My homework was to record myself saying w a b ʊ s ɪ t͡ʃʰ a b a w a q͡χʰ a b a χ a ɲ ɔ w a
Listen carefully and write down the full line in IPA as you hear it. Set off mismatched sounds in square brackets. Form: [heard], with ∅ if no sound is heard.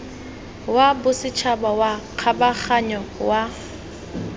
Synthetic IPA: w a b ʊ s ɪ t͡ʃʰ a b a w a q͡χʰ a b a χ a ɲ ɔ w a

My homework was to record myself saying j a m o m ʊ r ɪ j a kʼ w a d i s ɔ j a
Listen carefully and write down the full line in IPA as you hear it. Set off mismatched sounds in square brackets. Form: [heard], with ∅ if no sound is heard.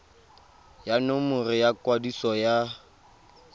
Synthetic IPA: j a [n] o m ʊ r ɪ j a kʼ w a d i s ɔ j a

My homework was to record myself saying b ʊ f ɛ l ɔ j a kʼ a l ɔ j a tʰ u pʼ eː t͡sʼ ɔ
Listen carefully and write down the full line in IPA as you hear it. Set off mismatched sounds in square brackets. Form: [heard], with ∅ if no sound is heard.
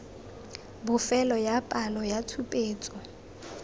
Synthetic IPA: b ʊ f ɛ l ɔ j a [pʼ] a l ɔ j a tʰ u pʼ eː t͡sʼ ɔ

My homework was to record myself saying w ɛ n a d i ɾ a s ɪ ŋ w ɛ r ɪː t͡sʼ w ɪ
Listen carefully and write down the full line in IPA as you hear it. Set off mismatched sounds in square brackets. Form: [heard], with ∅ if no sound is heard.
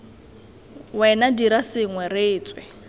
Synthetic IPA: w ɛ n a d i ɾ a s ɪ ŋ w ɛ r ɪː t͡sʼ w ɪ

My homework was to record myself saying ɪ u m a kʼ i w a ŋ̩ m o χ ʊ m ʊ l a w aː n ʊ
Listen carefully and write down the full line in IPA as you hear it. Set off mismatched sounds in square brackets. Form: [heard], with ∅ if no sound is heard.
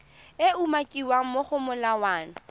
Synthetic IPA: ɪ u m a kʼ i w a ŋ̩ m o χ ʊ m ʊ l a w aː n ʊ

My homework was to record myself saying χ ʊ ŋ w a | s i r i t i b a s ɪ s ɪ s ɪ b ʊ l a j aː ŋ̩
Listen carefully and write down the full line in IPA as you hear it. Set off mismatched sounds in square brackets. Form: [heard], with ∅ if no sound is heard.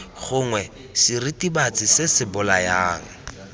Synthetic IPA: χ ʊ ŋ w [ɛ] | s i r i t i b a [t͡s] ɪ s ɪ s ɪ b ʊ l a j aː ŋ̩

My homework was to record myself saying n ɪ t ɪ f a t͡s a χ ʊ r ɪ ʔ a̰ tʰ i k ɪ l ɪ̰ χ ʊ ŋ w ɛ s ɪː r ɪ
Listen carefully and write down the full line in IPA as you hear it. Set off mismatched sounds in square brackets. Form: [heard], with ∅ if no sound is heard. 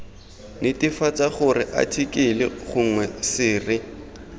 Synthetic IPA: n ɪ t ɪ f a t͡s a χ ʊ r ɪ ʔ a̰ tʰ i k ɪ l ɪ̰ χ ʊ ŋ w ɛ s ɪː r ɪ

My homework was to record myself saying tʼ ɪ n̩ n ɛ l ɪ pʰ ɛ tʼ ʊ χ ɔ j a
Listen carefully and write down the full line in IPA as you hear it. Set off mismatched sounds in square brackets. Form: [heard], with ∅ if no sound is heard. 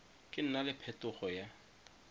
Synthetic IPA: [kʼ] ɪ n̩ n [a] l ɪ pʰ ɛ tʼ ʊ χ ɔ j a

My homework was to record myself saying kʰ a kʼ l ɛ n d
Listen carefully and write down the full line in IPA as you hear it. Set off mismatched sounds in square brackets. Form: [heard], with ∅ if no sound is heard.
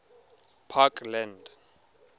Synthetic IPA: [pʰ] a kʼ l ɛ n d

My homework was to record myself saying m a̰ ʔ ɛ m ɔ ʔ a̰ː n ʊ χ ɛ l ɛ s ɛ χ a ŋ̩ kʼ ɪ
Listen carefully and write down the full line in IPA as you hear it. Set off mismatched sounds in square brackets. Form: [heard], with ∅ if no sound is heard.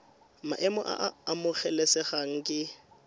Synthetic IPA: m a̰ ʔ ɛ m ɔ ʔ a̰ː [m] ʊ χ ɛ l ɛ s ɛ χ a ŋ̩ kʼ ɪ

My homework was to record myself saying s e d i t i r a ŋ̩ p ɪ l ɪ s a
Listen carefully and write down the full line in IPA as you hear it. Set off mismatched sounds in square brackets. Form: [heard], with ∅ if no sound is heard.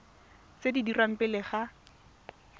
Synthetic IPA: s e d i [d] i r a [m̩] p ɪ l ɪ [χ] a

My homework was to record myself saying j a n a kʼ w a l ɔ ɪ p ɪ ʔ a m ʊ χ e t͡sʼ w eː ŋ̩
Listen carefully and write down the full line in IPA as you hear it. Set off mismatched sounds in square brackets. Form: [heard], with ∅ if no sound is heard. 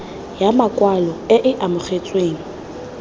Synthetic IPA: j a [m] a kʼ w a l ɔ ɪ [ʔ] ɪ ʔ a m ʊ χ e t͡sʼ w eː ŋ̩

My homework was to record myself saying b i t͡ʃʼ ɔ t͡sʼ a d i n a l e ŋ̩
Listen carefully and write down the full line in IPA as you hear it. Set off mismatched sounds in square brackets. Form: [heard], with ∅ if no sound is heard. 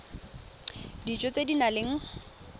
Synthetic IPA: [d] i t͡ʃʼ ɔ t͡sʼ [e] d i n a l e ŋ̩

